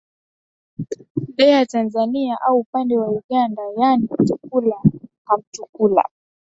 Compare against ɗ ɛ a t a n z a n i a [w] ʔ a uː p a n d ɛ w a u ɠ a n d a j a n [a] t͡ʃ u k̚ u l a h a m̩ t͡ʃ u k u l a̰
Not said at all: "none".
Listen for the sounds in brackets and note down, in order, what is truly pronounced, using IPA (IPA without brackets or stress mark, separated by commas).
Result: none, i